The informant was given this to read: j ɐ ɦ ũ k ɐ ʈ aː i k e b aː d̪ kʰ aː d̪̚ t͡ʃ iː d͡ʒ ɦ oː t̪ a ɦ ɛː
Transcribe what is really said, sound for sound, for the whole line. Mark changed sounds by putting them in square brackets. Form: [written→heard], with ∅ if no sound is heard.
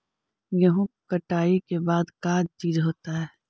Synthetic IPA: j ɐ ɦ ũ k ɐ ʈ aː i k e b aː d̪ [kʰ→k] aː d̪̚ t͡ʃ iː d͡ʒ ɦ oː t̪ a ɦ ɛː